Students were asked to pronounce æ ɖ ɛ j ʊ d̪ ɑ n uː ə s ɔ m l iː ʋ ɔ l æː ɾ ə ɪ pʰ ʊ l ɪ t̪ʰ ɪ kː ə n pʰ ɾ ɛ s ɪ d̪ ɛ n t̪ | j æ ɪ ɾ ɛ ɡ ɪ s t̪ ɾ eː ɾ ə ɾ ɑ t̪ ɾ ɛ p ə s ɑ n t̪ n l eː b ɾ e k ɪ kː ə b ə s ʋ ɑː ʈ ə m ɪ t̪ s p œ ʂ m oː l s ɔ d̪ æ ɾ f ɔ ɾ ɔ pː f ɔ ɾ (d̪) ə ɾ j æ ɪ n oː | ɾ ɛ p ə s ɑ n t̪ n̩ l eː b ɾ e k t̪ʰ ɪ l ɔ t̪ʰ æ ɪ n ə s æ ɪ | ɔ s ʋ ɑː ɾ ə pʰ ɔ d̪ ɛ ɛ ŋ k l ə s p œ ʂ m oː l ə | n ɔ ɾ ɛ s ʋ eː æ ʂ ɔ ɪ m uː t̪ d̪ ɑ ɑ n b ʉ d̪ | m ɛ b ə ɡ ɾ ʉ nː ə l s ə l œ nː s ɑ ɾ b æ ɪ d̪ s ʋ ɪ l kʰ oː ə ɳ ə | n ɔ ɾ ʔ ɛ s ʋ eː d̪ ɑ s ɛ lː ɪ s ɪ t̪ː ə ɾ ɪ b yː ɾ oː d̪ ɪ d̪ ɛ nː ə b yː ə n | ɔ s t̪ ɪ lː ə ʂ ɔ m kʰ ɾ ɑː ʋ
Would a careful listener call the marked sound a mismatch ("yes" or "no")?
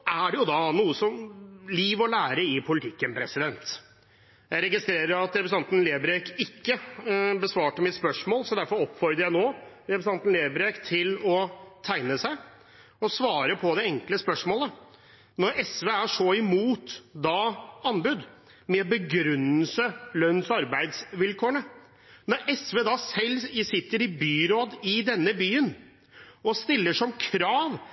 no